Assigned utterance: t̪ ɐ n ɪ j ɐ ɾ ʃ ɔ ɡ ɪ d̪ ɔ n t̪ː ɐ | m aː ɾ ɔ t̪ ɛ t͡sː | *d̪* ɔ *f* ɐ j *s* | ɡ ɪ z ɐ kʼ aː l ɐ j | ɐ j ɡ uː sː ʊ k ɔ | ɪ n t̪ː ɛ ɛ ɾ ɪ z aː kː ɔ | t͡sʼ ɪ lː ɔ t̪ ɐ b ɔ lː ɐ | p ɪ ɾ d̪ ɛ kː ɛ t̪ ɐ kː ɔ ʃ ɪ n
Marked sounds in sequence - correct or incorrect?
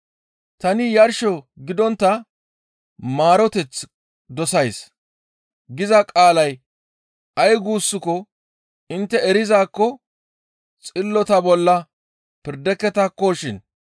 correct, incorrect: s, correct

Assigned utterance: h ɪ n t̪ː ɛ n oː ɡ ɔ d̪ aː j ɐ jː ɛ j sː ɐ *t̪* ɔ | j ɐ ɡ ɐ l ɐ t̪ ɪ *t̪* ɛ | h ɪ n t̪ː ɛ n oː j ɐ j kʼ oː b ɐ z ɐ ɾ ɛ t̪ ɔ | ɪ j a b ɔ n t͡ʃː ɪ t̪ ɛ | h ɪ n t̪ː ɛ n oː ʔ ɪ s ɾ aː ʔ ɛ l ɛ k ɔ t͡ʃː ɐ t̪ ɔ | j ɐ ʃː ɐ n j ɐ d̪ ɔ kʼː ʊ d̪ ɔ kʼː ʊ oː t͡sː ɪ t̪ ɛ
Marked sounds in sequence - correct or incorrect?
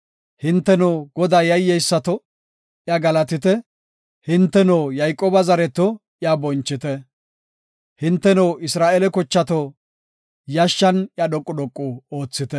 correct, correct

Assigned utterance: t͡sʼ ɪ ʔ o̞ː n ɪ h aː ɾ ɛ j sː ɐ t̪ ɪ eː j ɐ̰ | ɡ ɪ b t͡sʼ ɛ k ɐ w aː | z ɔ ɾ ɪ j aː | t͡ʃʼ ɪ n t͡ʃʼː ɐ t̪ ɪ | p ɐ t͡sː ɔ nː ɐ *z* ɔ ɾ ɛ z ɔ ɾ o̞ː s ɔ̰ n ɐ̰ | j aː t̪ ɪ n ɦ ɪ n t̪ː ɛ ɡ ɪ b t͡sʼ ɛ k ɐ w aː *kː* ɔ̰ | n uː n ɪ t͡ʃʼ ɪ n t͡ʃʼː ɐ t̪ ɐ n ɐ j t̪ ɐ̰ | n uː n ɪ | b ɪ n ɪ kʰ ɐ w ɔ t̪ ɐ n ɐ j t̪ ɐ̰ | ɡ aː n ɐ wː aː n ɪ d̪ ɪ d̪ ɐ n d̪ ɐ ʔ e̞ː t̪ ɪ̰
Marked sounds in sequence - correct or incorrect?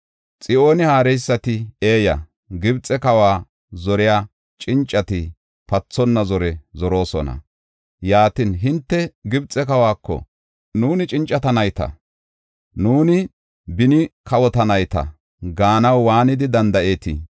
correct, correct

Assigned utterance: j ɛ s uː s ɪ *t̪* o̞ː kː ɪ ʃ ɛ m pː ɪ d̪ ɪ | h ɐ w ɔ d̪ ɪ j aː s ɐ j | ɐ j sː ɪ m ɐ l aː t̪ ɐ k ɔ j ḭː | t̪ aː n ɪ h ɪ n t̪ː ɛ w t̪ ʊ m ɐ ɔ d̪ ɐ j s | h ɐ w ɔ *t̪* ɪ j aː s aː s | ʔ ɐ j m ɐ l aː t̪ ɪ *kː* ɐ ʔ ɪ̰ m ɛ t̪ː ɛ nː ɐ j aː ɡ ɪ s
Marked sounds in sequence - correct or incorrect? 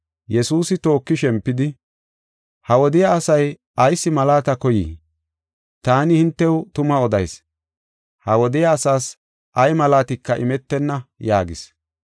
correct, incorrect: d̪, correct

